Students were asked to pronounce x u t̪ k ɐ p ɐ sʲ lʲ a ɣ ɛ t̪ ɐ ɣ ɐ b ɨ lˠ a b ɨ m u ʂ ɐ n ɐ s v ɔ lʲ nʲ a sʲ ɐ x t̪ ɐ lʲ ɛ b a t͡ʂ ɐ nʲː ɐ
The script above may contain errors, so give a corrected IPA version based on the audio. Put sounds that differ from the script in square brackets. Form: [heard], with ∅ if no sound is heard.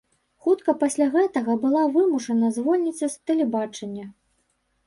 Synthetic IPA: x u t̪ k ɐ p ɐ sʲ lʲ a ɣ ɛ t̪ ɐ ɣ ɐ b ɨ lˠ a [v] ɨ m u ʂ ɐ n ɐ [z] v ɔ lʲ nʲ [i] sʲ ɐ [s] t̪ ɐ lʲ ɛ b a t͡ʂ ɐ nʲː ɐ